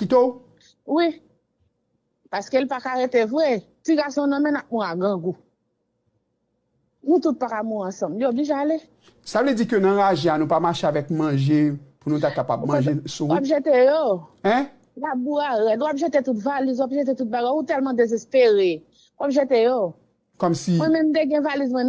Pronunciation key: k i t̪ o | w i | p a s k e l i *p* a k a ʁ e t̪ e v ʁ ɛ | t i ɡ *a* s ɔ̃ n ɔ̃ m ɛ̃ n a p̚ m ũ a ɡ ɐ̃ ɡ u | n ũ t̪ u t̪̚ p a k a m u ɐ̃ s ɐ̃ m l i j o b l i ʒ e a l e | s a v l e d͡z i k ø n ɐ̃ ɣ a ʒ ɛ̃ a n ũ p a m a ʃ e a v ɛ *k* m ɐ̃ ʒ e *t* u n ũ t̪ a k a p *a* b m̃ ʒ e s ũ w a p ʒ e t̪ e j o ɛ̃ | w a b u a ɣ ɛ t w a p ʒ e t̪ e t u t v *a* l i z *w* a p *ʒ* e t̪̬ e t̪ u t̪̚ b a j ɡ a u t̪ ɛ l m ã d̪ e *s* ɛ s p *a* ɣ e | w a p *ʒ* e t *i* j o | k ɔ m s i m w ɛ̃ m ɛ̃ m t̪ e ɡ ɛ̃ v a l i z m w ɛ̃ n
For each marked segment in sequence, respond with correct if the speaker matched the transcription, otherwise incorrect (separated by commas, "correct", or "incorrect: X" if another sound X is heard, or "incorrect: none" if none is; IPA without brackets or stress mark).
correct, correct, correct, incorrect: p, correct, correct, correct, correct, incorrect: z, incorrect: e, correct, incorrect: e